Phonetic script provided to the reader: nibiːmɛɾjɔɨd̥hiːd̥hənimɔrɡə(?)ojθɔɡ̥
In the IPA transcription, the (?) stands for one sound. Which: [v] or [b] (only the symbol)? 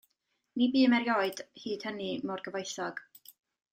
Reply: v